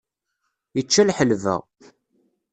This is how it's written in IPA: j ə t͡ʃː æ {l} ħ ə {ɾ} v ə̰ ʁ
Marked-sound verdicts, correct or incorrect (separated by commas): correct, incorrect